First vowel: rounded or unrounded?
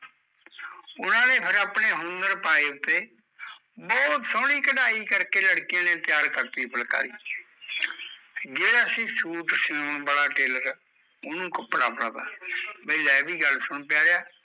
rounded